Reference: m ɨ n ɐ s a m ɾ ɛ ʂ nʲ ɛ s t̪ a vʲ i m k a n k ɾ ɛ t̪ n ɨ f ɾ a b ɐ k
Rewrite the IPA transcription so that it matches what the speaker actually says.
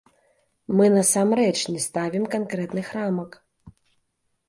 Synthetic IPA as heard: m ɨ n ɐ s a m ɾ ɛ t͡ʂ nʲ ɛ s t̪ a vʲ i m k a n k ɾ ɛ t̪ n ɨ x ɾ a m ɐ k